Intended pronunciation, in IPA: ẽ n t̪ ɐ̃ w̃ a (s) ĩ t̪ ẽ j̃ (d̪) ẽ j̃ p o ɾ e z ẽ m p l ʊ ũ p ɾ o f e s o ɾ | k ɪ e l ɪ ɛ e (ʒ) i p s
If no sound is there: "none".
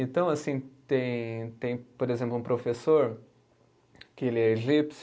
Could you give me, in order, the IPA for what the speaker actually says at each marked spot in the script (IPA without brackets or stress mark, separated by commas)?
s, t̪, ʒ